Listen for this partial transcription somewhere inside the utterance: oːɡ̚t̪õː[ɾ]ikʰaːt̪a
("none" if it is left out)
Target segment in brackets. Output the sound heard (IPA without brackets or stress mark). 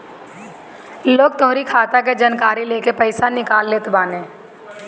ɾ